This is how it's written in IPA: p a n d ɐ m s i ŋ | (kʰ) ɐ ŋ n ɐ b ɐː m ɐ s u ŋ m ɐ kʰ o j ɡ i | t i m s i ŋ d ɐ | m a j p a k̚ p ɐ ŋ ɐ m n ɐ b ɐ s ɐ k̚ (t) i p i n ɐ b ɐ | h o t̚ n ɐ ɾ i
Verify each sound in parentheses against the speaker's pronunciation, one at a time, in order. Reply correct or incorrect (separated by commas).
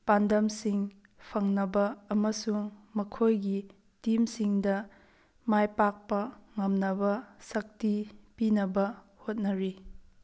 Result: incorrect, correct